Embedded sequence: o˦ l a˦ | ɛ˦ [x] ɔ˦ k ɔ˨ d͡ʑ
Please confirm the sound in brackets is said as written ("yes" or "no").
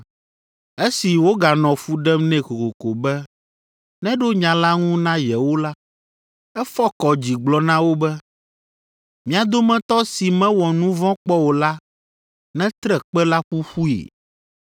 no